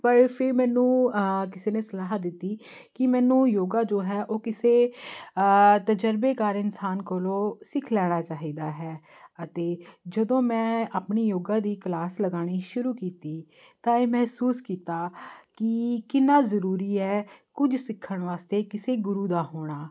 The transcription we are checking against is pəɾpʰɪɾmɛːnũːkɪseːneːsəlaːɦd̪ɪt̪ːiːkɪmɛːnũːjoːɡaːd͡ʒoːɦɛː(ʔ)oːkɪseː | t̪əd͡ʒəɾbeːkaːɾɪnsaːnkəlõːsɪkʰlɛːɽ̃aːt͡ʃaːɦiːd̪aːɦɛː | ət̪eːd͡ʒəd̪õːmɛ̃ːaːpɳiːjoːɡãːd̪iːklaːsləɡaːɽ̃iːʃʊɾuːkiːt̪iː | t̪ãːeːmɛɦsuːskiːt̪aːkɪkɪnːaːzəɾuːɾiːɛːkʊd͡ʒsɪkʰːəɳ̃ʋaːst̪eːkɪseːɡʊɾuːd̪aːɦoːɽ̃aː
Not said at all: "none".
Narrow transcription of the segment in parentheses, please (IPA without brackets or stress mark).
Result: ʔ